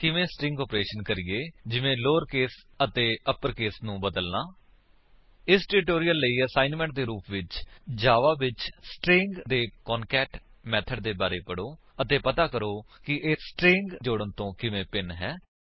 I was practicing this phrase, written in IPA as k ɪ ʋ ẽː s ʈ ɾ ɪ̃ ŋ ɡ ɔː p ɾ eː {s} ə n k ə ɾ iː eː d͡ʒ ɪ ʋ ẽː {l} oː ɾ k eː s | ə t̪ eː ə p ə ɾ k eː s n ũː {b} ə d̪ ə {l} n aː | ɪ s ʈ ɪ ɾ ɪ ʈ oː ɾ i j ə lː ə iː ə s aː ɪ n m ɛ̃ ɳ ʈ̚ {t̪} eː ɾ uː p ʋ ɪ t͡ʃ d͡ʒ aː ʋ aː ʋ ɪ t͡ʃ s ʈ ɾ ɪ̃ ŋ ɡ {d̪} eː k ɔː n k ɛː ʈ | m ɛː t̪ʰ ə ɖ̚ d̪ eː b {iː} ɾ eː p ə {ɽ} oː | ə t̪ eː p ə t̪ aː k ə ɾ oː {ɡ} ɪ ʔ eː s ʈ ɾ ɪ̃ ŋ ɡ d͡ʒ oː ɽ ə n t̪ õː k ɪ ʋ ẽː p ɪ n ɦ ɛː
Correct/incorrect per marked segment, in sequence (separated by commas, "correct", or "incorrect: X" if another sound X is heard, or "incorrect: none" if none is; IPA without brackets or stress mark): incorrect: ʃ, correct, correct, correct, incorrect: d̪, correct, incorrect: aː, correct, incorrect: k